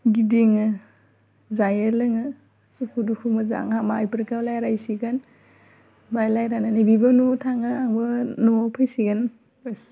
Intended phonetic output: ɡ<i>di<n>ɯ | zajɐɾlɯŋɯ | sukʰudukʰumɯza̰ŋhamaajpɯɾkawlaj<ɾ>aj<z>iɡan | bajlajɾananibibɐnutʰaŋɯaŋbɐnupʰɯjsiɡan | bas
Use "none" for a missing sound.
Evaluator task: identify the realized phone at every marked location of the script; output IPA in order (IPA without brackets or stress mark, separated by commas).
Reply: i, ŋ, ɾ, s